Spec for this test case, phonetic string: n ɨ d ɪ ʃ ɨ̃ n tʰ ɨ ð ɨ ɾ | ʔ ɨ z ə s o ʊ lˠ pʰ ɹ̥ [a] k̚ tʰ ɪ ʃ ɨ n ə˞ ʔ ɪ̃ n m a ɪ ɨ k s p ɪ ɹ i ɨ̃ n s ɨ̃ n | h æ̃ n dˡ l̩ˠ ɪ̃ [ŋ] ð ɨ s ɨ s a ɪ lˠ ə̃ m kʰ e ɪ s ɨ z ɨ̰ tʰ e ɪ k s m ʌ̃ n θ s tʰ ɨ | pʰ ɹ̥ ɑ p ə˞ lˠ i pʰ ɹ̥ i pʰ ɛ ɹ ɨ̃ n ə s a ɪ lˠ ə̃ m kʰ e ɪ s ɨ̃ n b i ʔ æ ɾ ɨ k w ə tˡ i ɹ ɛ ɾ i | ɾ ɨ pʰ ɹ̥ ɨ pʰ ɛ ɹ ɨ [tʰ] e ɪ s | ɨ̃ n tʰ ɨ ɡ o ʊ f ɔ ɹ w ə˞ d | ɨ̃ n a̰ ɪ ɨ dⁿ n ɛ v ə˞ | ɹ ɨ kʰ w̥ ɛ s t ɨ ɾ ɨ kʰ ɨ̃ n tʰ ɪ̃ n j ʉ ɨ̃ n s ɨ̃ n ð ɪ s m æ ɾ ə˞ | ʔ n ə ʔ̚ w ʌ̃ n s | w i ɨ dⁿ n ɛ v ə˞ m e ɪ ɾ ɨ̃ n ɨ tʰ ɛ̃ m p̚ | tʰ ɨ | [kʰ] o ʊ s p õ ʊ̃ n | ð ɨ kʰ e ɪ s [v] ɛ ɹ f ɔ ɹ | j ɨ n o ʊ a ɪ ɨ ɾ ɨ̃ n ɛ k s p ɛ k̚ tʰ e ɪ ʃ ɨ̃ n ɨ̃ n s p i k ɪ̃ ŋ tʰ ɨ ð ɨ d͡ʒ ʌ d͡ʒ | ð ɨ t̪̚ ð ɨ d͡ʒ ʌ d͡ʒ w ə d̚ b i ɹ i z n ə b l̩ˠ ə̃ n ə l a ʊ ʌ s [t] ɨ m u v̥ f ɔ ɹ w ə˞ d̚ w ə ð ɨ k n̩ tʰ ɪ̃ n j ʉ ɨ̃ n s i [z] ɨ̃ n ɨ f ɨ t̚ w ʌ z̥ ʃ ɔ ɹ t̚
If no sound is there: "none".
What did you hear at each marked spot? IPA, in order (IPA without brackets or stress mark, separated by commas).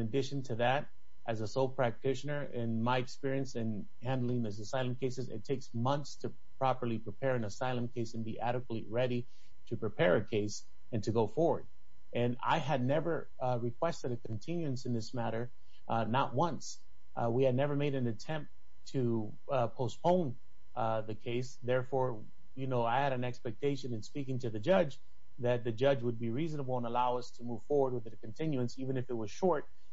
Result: æ, ŋ, kʰ, pʰ, ð, tʰ, v